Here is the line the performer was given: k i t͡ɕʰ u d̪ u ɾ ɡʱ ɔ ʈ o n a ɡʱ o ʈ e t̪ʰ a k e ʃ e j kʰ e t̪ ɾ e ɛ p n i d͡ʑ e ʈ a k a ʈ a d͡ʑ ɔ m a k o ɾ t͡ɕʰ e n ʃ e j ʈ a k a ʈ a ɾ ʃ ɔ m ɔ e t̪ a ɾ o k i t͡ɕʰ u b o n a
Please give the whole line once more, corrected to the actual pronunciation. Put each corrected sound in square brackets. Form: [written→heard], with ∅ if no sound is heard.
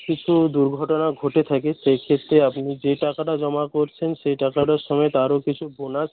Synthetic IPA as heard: k i t͡ɕʰ u d̪ u ɾ ɡʱ ɔ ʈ o n a ɡʱ o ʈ e t̪ʰ a k e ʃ e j kʰ e t̪ ɾ e [ɛ→a] p n i d͡ʑ e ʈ a k a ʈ a d͡ʑ ɔ m a k o ɾ t͡ɕʰ e n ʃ e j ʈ a k a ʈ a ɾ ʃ ɔ m ɔ e t̪ a ɾ o k i t͡ɕʰ u b o n a